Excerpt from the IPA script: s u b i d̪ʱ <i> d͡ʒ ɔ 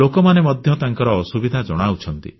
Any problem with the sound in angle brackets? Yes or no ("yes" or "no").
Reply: yes